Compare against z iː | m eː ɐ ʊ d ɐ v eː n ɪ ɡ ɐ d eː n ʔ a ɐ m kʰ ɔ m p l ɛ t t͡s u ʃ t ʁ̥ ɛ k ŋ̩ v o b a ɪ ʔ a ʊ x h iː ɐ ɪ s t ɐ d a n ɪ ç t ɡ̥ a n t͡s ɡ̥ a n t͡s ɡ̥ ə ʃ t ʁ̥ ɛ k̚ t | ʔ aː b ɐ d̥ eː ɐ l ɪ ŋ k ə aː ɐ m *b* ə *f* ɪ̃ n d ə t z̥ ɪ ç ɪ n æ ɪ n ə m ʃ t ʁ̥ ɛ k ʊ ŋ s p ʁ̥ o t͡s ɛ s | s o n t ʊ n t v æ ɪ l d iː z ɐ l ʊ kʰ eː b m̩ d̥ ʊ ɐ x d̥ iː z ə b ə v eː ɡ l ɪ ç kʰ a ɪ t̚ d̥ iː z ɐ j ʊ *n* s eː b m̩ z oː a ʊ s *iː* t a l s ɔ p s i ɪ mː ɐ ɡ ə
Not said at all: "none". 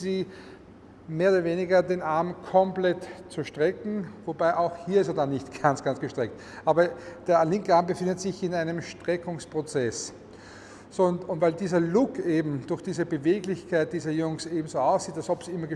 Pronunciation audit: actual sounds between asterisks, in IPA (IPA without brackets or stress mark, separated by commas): b, f, ŋ, iː